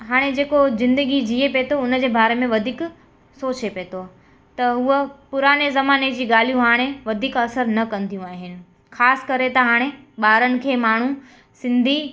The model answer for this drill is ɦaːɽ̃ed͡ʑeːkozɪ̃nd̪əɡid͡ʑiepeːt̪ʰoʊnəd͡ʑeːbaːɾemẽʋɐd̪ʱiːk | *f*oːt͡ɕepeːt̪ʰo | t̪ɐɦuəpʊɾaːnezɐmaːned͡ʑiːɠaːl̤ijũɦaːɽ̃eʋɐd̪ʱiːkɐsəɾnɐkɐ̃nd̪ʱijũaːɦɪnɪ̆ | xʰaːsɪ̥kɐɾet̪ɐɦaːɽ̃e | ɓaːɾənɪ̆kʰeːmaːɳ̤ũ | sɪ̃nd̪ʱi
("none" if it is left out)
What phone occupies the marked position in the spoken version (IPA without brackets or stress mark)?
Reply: s